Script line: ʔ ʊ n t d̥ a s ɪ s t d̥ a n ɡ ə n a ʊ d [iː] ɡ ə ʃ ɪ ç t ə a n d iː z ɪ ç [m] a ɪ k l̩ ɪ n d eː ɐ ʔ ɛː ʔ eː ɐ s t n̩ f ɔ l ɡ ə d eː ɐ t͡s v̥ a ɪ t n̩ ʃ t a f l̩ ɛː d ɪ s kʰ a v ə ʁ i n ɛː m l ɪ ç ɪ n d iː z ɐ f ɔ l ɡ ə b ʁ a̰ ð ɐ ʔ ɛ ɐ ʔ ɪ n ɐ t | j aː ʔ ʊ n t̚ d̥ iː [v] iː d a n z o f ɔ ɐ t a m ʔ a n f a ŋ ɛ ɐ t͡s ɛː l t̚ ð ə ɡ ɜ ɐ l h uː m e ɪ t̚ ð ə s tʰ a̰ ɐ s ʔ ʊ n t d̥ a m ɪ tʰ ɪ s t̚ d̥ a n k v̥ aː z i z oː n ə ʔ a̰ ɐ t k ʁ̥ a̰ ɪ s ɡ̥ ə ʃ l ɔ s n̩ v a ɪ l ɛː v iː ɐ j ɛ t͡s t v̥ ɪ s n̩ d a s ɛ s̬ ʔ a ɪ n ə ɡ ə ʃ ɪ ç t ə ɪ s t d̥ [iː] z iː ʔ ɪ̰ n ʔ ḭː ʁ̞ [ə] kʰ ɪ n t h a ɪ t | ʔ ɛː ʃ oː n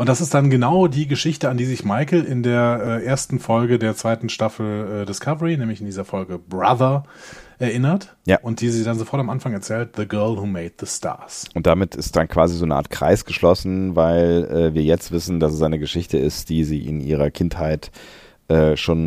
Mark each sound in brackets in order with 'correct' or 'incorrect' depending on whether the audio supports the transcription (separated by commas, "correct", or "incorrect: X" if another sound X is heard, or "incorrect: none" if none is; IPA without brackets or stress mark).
correct, correct, incorrect: z, correct, incorrect: ɐ